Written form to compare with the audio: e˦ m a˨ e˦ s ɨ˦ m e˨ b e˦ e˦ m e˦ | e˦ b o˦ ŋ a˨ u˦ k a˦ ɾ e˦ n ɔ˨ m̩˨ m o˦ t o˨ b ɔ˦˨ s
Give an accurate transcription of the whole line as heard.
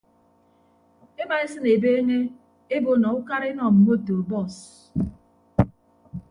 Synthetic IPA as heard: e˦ m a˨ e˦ s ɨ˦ n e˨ b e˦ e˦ ŋ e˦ | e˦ b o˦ n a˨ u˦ k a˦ ɾ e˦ n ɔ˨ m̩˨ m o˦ t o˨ b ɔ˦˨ s